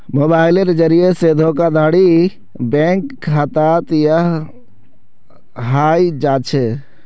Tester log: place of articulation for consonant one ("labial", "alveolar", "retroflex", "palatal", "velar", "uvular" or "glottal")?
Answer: labial